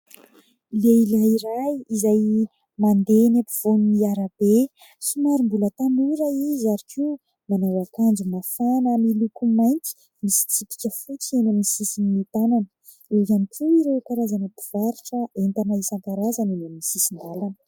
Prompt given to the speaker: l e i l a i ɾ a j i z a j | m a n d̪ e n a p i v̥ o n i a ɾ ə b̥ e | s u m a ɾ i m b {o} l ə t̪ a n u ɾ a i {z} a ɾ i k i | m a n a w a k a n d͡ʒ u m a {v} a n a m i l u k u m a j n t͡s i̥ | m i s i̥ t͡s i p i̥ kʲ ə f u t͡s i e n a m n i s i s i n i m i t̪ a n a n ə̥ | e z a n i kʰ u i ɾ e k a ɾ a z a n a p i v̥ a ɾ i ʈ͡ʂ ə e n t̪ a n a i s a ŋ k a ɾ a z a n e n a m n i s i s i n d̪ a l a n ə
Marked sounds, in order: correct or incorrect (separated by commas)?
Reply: incorrect, correct, incorrect